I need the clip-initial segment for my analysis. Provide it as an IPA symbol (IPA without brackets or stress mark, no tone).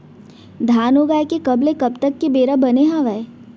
d̪ʱ